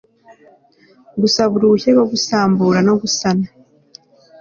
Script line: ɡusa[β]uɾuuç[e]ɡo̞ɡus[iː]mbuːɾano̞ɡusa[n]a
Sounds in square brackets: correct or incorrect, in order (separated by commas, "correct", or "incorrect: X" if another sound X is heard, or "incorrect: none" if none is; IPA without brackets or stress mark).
correct, correct, incorrect: aː, correct